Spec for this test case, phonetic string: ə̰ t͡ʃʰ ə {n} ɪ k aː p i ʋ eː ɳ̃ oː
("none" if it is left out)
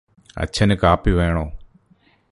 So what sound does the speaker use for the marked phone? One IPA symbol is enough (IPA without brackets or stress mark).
n